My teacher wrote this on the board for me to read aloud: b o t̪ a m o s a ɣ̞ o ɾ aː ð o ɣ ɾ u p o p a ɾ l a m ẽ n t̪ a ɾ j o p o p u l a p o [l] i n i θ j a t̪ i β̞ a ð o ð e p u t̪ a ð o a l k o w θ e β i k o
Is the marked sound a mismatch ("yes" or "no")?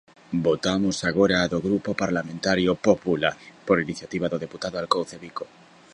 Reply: yes